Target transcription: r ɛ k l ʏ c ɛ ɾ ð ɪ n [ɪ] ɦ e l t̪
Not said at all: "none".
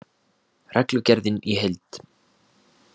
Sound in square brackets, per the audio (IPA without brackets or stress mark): i